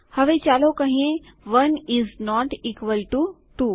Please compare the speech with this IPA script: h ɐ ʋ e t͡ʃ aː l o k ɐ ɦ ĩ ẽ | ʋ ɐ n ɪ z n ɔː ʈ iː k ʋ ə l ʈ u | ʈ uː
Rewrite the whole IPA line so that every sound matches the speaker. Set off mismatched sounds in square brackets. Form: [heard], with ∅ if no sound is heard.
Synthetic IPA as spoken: h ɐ ʋ e t͡ʃ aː l o k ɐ ɦ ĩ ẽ | ʋ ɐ n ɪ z n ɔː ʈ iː k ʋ ə l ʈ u | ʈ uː